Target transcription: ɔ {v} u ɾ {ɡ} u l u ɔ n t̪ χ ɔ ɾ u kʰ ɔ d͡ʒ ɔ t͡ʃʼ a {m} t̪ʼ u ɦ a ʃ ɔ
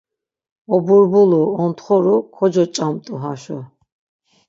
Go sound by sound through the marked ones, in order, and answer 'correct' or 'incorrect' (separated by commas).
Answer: incorrect, incorrect, correct